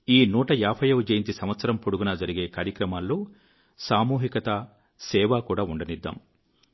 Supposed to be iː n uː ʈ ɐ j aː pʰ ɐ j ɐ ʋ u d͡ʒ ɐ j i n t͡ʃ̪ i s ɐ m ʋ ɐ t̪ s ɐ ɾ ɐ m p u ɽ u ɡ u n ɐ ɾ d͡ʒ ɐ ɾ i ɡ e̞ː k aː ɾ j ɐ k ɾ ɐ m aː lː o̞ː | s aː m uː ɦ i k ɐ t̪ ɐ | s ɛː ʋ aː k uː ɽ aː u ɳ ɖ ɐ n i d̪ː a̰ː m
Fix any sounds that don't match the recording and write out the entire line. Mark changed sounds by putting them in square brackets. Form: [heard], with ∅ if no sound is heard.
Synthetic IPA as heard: iː n uː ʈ ɐ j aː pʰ ɐ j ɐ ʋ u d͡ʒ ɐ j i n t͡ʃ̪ i s ɐ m ʋ ɐ t̪ s ɐ ɾ ɐ m p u ɽ u ɡ u n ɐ [∅] d͡ʒ ɐ ɾ i ɡ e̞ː k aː ɾ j ɐ k ɾ ɐ m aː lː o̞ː | s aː m uː ɦ i k ɐ t̪ ɐ | s ɛː ʋ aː k uː ɽ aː u ɳ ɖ ɐ n i d̪ː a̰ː m